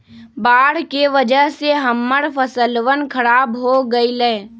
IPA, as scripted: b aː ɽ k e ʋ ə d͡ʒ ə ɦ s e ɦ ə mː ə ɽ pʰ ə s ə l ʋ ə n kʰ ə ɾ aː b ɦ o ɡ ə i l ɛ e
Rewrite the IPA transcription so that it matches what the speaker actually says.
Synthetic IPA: b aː ɽ k e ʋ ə d͡ʒ ə ɦ s e ɦ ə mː ə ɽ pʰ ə s ə l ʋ ə n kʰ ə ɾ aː b ɦ o ɡ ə i l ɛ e